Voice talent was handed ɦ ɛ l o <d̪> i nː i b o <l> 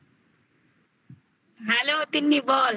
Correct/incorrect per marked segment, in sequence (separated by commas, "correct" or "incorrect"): incorrect, correct